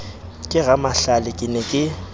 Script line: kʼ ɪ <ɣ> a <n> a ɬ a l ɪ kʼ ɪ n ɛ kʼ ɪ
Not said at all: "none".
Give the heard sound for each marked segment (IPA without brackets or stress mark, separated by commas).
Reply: ɣ, m